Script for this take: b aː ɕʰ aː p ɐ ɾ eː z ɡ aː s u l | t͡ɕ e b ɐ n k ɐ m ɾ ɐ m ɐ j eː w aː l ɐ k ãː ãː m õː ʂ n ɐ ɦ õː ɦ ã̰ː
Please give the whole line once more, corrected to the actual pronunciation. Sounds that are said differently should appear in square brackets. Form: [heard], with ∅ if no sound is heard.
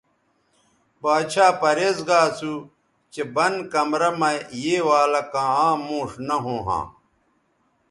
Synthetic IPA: b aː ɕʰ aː p ɐ ɾ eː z ɡ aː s u [∅] | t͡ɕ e b ɐ n k ɐ m ɾ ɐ m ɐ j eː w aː l ɐ k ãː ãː m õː ʂ n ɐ ɦ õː ɦ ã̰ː

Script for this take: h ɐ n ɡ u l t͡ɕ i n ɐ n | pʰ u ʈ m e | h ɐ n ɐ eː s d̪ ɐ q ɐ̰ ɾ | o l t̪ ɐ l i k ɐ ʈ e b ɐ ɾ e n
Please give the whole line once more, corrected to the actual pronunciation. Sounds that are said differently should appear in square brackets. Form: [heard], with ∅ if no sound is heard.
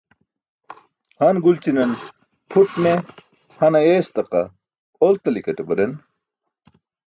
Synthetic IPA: h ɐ n ɡ u l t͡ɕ i n ɐ n | pʰ u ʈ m e | h ɐ n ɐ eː s [t̪] ɐ q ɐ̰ [∅] | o l t̪ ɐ l i k ɐ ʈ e b ɐ ɾ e n

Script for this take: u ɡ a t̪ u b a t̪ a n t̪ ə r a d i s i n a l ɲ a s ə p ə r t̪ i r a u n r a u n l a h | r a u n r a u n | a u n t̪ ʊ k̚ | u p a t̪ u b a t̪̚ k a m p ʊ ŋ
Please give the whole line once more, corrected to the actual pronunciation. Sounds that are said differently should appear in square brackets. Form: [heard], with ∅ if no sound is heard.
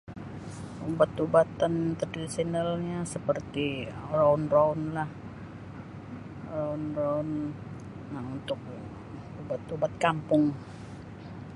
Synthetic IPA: u [b] a t̪ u b a t̪ a n t̪ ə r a d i s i n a l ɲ a s ə p ə r t̪ i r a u n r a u n l a h | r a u n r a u n | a u n t̪ ʊ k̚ | u [b] a t̪ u b a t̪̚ k a m p ʊ ŋ

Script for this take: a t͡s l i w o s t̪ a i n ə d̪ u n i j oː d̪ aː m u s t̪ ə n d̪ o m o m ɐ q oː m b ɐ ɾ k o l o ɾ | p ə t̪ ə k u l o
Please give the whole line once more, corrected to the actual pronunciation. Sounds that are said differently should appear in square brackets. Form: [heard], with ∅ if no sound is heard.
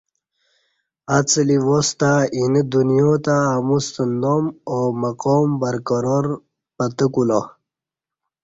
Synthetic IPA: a t͡s l i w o s t̪ a i n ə d̪ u n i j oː [t̪] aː m u s t̪ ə n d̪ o m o m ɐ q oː m b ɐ ɾ k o [ɾ] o ɾ | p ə t̪ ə k u l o

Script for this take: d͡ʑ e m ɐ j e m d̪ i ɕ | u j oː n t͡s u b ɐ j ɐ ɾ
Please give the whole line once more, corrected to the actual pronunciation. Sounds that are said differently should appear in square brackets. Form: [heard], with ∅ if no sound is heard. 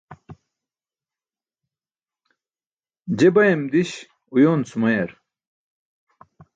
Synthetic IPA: d͡ʑ e [b] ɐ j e m d̪ i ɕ | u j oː n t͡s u [m] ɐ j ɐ ɾ

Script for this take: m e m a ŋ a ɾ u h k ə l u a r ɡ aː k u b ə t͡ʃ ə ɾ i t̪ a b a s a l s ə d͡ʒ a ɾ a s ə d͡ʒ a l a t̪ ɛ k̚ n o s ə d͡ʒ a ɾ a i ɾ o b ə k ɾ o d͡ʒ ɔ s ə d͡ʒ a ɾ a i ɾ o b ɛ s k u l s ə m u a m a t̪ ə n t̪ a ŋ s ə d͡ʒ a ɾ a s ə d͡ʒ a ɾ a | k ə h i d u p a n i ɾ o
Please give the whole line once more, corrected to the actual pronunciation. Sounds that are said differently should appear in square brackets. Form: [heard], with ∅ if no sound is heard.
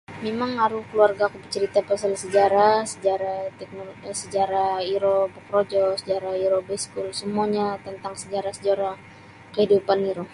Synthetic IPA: m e m a ŋ a ɾ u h k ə l u a r ɡ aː k u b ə t͡ʃ ə ɾ i t̪ a [p] a s a l s ə d͡ʒ a ɾ a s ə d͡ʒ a [ɾ] a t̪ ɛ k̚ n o s ə d͡ʒ a ɾ a i ɾ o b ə k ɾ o d͡ʒ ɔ s ə d͡ʒ a ɾ a i ɾ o b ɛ s k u l s ə m u a [ɲ] a t̪ ə n t̪ a ŋ s ə d͡ʒ a ɾ a s ə d͡ʒ a ɾ a | k ə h i d u p a n i ɾ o

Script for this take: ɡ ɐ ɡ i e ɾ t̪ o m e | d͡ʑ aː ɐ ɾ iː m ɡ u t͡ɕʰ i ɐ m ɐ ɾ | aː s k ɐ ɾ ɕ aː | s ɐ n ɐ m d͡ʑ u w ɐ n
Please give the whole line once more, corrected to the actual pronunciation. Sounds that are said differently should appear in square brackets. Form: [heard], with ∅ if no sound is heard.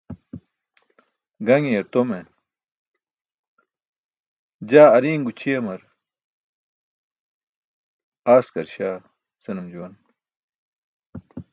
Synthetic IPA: ɡ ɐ [ŋ] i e ɾ t̪ o m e | d͡ʑ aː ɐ ɾ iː [ŋ] ɡ u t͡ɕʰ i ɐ m ɐ ɾ | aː s k ɐ ɾ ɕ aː | s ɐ n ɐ m d͡ʑ u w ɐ n

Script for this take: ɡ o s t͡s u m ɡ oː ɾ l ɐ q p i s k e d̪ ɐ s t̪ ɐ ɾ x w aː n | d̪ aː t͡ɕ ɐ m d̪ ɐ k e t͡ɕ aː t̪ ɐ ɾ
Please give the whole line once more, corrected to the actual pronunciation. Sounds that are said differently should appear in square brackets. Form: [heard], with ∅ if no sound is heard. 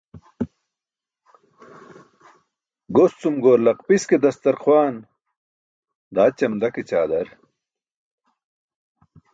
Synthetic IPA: ɡ o s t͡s u m ɡ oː ɾ l ɐ q p i s k e d̪ ɐ s t̪ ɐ ɾ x w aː n | d̪ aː t͡ɕ ɐ m d̪ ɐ k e t͡ɕ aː [d̪] ɐ ɾ

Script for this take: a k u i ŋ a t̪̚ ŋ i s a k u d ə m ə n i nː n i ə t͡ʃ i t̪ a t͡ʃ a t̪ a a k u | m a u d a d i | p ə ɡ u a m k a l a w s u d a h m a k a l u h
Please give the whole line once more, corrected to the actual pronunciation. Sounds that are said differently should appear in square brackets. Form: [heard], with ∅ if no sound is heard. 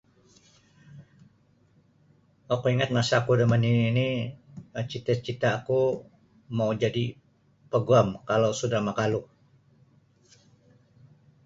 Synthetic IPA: a k u i ŋ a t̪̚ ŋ [a] s a k u d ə m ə n i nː n i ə t͡ʃ i t̪ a t͡ʃ [i] t̪ a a k u | m a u [d͡ʒ] a d i | p ə ɡ u a m k a l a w s u d a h m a k a l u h

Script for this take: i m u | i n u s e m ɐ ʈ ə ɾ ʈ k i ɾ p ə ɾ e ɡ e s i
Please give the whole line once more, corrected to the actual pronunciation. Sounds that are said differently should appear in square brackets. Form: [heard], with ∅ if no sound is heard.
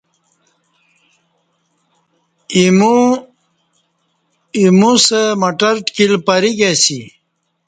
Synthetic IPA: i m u | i [m] u s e m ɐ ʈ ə ɾ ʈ k i [l] p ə ɾ [i] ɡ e s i

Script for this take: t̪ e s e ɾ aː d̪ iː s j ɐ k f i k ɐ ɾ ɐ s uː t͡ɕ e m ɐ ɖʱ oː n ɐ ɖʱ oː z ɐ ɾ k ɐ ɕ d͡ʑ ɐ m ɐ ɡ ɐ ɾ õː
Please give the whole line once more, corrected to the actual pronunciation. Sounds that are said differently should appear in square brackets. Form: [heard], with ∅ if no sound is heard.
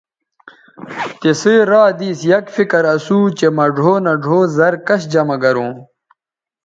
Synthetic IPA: t̪ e s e ɾ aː d̪ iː s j ɐ k f i k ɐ ɾ ɐ s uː t͡ɕ e m ɐ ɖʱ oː n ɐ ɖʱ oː z ɐ ɾ k ɐ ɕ d͡ʑ ɐ m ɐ ɡ ɐ ɾ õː

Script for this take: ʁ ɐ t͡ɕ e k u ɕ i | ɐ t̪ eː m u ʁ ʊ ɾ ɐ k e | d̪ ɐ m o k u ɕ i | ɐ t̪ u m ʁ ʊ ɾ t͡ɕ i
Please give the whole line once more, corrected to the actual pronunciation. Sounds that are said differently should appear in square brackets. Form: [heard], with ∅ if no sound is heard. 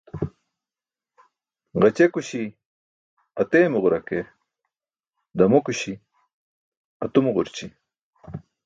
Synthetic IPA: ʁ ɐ t͡ɕ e k u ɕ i | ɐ t̪ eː m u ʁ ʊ ɾ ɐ k e | d̪ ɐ m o k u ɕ i | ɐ t̪ u m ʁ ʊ ɾ t͡ɕ i

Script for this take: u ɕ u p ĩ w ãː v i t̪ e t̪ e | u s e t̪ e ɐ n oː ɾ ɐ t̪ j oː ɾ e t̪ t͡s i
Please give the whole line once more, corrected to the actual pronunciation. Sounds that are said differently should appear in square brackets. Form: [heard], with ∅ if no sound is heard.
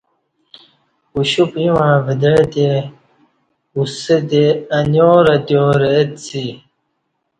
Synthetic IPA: u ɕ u p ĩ w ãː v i [d̪] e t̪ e | u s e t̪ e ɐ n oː ɾ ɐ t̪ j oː ɾ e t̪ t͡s i

